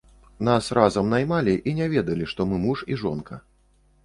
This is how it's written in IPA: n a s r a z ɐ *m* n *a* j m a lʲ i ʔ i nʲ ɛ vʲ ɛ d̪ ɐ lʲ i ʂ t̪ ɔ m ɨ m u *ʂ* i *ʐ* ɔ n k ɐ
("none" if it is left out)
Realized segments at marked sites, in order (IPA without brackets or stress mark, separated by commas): m, a, ʂ, ʐ